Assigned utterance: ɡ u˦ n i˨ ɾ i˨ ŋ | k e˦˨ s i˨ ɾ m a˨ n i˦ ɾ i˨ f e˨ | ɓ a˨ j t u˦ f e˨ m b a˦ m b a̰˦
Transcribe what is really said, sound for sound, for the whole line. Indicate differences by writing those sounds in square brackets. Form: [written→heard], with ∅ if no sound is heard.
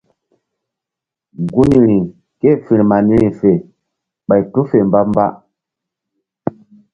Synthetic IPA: ɡ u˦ n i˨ ɾ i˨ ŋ | k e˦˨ [s→f] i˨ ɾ m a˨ n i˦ ɾ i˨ f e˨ | ɓ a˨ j t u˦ f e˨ m b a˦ m b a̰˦